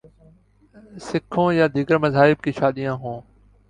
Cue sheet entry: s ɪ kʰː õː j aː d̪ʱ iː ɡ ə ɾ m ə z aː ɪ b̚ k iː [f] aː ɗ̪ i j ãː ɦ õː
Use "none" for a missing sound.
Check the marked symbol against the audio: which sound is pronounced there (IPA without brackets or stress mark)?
ʃ